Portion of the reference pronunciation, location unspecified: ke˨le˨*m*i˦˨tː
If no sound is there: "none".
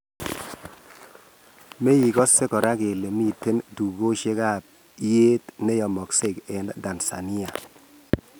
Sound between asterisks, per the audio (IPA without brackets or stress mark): m